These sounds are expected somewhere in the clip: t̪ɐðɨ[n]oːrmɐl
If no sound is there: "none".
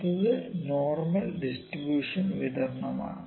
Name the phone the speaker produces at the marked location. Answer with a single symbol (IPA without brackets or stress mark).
n